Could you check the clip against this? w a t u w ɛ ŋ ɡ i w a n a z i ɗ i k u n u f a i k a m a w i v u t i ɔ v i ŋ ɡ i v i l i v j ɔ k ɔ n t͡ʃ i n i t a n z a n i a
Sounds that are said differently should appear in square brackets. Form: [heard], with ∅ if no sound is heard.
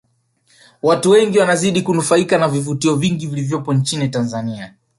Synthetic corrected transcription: w a t u w ɛ ŋ ɡ i w a n a z i ɗ i k u n u f a i k a [n] a [v] i v u t i ɔ v i ŋ ɡ i v i l i v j ɔ [p] ɔ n t͡ʃ i n i t a n z a n i a